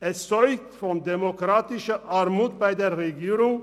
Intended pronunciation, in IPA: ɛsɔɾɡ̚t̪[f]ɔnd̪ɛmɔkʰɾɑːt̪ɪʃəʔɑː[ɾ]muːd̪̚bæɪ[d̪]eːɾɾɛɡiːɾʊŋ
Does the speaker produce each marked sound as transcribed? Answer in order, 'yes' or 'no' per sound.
yes, yes, yes

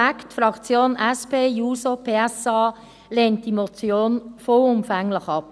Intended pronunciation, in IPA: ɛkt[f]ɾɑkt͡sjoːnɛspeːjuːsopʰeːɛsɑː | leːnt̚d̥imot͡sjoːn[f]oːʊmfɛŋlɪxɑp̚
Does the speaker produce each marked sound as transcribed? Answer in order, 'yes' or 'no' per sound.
yes, yes

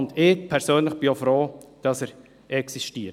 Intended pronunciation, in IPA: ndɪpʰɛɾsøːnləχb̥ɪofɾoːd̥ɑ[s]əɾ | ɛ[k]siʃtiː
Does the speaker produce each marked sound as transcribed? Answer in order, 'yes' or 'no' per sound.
yes, yes

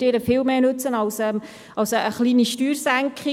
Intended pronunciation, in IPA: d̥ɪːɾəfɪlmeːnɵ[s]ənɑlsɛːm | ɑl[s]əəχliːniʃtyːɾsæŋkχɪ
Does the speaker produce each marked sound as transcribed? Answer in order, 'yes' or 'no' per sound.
no, yes

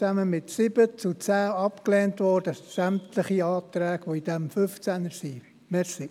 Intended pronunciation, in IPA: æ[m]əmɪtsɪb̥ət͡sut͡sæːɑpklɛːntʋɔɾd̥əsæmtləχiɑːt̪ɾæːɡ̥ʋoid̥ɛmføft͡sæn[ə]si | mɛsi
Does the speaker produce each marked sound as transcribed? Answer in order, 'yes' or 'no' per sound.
yes, yes

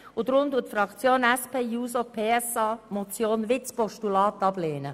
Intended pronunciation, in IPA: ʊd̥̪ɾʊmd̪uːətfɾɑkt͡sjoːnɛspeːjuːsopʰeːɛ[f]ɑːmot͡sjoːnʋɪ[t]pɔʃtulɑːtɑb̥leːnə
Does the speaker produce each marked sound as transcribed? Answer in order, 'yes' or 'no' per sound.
no, no

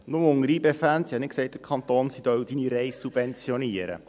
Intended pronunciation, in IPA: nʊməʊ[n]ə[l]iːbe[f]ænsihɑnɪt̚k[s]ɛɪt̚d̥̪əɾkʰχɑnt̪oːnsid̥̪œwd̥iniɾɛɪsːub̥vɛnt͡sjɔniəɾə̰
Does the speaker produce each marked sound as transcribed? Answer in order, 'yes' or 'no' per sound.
no, no, yes, yes

